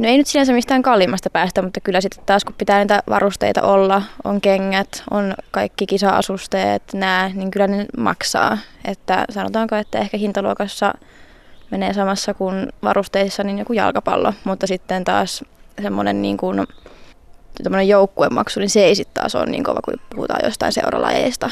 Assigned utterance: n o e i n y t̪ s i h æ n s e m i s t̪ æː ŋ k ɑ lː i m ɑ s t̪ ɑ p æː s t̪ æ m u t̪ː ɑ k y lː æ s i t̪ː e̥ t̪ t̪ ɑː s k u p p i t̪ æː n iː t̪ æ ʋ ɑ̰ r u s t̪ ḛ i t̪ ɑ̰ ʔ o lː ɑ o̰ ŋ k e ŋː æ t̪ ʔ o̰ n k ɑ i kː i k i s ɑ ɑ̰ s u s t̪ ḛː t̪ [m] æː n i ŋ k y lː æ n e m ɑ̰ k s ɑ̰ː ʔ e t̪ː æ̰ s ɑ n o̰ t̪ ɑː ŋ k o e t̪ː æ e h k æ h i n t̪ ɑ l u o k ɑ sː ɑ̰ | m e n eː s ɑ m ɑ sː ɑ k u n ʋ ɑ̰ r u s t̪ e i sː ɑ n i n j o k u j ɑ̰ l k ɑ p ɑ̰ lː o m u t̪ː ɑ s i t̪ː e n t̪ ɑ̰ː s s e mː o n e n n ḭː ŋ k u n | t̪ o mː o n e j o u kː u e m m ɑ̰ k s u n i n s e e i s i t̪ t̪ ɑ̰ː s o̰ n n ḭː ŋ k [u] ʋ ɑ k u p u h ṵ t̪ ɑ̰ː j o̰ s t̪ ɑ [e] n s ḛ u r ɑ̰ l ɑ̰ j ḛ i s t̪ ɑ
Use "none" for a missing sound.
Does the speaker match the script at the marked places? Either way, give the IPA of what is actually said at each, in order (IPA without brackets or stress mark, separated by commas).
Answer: n, o, i